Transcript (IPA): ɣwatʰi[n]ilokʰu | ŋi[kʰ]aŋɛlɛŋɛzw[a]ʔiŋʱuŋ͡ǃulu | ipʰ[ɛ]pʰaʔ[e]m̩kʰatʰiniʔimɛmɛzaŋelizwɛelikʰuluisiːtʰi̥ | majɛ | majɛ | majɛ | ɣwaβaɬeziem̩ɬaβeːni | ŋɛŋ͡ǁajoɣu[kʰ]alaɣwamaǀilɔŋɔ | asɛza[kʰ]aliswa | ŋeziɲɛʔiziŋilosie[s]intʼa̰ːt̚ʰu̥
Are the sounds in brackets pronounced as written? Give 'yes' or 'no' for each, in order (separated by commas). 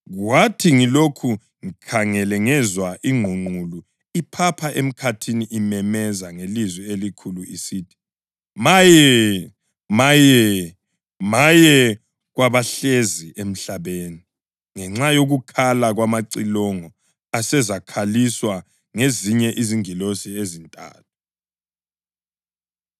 no, yes, yes, no, yes, yes, yes, no